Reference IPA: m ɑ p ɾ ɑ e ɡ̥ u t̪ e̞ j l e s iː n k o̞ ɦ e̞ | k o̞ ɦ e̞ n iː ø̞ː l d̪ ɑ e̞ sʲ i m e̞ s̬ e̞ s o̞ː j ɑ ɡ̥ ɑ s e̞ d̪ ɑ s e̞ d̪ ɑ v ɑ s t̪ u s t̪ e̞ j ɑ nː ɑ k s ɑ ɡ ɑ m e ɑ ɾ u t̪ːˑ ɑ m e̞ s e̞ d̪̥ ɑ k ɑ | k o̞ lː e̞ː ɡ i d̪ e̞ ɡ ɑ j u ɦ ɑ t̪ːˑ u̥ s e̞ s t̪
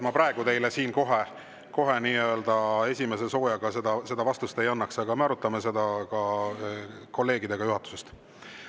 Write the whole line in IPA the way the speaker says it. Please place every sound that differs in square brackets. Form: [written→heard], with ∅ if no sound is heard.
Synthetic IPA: m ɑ p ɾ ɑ e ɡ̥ u t̪ e̞ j l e s iː n k o̞ ɦ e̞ | k o̞ ɦ e̞ n iː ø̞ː l d̪ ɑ e̞ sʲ i m e̞ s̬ e̞ s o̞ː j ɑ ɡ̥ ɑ s e̞ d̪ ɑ s e̞ d̪ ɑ v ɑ s t̪ u s t̪ e̞ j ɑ nː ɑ k s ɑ ɡ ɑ m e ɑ ɾ u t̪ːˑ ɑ m e̞ s e̞ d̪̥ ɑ k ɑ | k o̞ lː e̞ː ɡ i d̪ e̞ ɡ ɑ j u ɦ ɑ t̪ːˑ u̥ s e̞ s t̪

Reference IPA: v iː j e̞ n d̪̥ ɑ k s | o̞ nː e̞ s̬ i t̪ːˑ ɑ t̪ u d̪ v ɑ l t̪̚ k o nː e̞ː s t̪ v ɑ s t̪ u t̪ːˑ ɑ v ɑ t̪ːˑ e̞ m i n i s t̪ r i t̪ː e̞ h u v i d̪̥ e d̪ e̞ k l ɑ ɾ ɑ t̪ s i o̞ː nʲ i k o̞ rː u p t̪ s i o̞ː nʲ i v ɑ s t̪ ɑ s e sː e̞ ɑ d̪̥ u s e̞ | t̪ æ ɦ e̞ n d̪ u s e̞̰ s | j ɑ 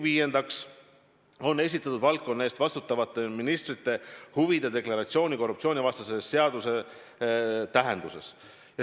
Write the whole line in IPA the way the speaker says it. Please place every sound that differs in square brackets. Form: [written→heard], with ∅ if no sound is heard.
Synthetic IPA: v iː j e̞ n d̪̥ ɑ k s | o̞ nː e̞ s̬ i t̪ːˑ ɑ t̪ u d̪ v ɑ l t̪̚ k o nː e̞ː s t̪ v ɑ s t̪ u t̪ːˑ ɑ v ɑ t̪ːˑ e̞ m i n i s t̪ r i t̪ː e̞ h u v i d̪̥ e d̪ e̞ k l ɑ ɾ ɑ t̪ s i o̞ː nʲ i k o̞ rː u p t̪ s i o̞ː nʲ i v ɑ s t̪ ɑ s e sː e̞ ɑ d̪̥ u s e̞ | t̪ æ ɦ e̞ n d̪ u s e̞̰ s | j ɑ

